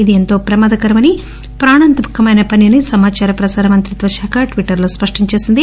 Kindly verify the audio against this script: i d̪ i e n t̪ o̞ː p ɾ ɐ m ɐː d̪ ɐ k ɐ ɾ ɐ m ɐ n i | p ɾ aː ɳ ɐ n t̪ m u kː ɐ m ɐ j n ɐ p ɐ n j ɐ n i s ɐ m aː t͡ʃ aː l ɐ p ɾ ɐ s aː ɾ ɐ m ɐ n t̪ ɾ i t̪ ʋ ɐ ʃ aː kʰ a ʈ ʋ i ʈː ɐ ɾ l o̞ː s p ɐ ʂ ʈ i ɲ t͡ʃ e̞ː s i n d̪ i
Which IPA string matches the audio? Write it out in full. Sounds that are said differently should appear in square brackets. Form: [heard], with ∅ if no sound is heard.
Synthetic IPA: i d̪ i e n t̪ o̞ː p ɾ ɐ m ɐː d̪ ɐ k ɐ ɾ ɐ m ɐ n i | p ɾ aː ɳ ɐ n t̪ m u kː ɐ m ɐ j n ɐ p ɐ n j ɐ n i s ɐ m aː t͡ʃ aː [ɾ] ɐ p ɾ ɐ s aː ɾ ɐ m ɐ n t̪ ɾ i t̪ ʋ ɐ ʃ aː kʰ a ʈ ʋ i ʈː ɐ ɾ l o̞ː s p ɐ ʂ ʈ i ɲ t͡ʃ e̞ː s i n d̪ i

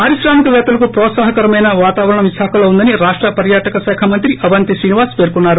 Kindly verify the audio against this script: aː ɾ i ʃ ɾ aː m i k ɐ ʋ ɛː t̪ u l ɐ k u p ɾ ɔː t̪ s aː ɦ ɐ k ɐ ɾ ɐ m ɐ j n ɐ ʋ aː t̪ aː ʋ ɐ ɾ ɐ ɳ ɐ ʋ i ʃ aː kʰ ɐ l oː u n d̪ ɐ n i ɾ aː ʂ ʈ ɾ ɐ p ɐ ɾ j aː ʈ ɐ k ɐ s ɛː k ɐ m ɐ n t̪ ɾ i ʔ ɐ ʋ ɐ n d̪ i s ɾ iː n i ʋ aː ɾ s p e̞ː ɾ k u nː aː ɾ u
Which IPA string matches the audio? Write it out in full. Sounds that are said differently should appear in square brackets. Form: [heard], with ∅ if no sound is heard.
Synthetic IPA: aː ɾ i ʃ ɾ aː m i k ɐ ʋ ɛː t̪ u l ɐ k u p ɾ ɔː t̪ s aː ɦ ɐ k ɐ ɾ ɐ m ɐ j n ɐ ʋ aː t̪ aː ʋ ɐ ɾ ɐ ɳ ɐ ʋ i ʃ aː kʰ ɐ l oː u n d̪ ɐ n i ɾ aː ʂ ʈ ɾ ɐ p ɐ ɾ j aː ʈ ɐ k ɐ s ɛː [kʰ] ɐ m ɐ n t̪ ɾ i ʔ ɐ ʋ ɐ n [t̪] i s ɾ iː n i ʋ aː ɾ s p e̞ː ɾ k u nː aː ɾ u

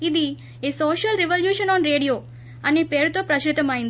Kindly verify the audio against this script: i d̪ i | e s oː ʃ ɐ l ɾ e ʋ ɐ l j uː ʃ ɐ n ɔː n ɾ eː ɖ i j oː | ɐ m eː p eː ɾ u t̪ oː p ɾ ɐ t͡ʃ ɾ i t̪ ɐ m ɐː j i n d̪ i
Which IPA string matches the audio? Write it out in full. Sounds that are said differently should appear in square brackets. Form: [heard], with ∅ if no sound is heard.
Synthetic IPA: i d̪ i | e s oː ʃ ɐ l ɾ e ʋ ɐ l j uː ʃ ɐ n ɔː n ɾ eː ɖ i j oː | ɐ [n] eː p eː ɾ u t̪ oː p ɾ ɐ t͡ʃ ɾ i t̪ ɐ m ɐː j i n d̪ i

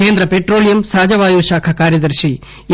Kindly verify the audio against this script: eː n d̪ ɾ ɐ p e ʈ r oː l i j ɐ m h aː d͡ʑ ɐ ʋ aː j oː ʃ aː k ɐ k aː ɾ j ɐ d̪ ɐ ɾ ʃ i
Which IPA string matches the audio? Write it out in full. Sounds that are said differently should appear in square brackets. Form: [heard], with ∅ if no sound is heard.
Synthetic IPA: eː n d̪ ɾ ɐ p e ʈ r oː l i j ɐ m [s] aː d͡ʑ ɐ ʋ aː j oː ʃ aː [kʰ] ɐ k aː ɾ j ɐ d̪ ɐ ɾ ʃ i

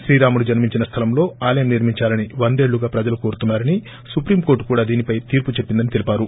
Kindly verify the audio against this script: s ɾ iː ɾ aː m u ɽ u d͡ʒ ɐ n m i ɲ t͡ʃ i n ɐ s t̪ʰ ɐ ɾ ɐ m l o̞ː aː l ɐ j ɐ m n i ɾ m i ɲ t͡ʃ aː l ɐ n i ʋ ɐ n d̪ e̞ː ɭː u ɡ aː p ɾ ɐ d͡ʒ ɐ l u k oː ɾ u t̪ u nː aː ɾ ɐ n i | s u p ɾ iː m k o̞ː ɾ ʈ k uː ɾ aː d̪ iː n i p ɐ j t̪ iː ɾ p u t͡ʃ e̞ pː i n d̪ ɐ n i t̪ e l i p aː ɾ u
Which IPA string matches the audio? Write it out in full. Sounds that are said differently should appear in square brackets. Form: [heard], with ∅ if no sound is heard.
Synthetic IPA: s ɾ iː ɾ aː m u ɽ u d͡ʒ ɐ n m i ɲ t͡ʃ i n ɐ s t̪ʰ ɐ [l] ɐ m l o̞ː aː l ɐ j ɐ m n i ɾ m i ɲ t͡ʃ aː l ɐ n i ʋ ɐ n d̪ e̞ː ɭː u ɡ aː p ɾ ɐ d͡ʒ ɐ l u k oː ɾ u t̪ u nː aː ɾ ɐ n i | s u p ɾ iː m k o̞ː ɾ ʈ k uː [ɽ] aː d̪ iː n i p ɐ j t̪ iː ɾ p u t͡ʃ e̞ pː i n d̪ ɐ n i t̪ e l i p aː ɾ u

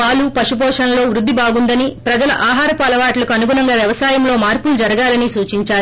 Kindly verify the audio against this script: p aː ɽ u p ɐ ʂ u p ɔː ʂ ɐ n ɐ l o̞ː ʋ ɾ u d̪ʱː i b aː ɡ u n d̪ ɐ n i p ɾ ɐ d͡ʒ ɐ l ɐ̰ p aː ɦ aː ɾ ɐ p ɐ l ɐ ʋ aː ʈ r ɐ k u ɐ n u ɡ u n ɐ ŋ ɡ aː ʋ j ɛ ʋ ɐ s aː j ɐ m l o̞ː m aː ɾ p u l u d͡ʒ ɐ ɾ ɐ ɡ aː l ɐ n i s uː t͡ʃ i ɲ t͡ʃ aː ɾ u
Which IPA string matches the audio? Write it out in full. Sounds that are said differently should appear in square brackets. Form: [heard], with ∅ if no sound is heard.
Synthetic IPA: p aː [l] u p ɐ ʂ u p ɔː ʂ ɐ n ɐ l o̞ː ʋ ɾ u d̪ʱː i b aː ɡ u n d̪ ɐ n i p ɾ ɐ d͡ʒ ɐ l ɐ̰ [ʔ] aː ɦ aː ɾ ɐ p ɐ l ɐ ʋ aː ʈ [l] ɐ k u ɐ n u ɡ u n ɐ ŋ ɡ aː ʋ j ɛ ʋ ɐ s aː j ɐ m l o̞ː m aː ɾ p u l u d͡ʒ ɐ ɾ ɐ ɡ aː l ɐ n i s uː t͡ʃ i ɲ t͡ʃ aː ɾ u

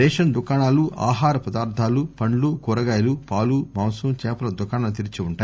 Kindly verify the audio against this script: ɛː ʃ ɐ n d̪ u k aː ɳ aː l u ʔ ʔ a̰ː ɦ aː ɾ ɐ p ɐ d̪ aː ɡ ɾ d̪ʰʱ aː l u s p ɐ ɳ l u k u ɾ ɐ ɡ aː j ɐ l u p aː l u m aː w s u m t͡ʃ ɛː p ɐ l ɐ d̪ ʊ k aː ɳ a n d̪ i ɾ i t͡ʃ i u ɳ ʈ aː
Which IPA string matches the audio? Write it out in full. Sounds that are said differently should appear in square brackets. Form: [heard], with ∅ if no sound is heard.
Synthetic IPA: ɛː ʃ ɐ n d̪ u k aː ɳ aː l u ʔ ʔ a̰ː ɦ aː ɾ ɐ p ɐ d̪ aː [∅] ɾ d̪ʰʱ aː l u [∅] p ɐ ɳ l u k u ɾ ɐ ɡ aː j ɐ l u p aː l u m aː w s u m t͡ʃ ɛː p ɐ l ɐ d̪ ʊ k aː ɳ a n [t̪] i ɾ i t͡ʃ i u ɳ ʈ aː

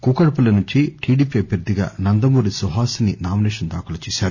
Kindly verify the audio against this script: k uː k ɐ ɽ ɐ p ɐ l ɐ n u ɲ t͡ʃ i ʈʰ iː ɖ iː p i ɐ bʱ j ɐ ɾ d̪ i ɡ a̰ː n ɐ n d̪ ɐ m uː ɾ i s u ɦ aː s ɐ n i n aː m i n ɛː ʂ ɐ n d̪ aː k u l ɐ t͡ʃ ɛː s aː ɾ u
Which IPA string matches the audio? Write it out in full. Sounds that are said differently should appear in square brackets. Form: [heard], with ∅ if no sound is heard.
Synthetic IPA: k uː k ɐ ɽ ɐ p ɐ l ɐ n u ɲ t͡ʃ i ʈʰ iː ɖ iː p i ɐ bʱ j ɐ ɾ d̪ i ɡ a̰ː n ɐ n d̪ ɐ m uː ɾ i s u ɦ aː s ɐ n i n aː m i n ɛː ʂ ɐ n d̪ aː k u l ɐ t͡ʃ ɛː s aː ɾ u

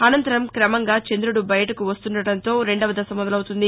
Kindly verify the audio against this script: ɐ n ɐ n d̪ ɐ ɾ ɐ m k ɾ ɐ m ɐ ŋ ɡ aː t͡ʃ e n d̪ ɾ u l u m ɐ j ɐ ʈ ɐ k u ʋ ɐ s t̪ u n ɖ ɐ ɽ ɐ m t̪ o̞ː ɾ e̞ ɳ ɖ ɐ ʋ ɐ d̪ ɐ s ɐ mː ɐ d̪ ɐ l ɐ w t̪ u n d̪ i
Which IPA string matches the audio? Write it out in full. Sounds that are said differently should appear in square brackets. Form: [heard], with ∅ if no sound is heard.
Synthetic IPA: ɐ n ɐ n [t̪] ɐ ɾ ɐ m k ɾ ɐ m ɐ ŋ ɡ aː t͡ʃ e n d̪ ɾ u [ɽ] u [b] ɐ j ɐ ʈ ɐ k u ʋ ɐ s t̪ u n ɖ ɐ ɽ ɐ [n] t̪ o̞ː ɾ e̞ ɳ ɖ ɐ ʋ ɐ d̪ ɐ s ɐ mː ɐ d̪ ɐ l ɐ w t̪ u n d̪ i

